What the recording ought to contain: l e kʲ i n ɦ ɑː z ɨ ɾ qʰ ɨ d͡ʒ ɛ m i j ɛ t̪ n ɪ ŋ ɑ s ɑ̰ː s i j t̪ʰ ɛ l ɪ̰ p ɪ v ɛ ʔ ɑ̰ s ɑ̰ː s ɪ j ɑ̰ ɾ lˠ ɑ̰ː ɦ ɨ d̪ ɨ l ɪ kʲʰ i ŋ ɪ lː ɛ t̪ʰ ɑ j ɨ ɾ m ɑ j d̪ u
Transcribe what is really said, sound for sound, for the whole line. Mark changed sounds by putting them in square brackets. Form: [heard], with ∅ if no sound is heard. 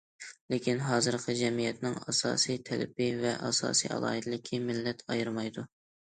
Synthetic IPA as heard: l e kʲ i n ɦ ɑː z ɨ ɾ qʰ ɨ d͡ʒ ɛ m i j ɛ t̪ n ɪ ŋ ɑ s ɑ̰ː s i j t̪ʰ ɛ l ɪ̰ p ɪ v ɛ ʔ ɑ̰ s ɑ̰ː s [i] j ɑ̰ [∅] lˠ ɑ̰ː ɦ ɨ d̪ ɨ l ɪ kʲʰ i [m] ɪ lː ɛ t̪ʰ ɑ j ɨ ɾ m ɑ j d̪ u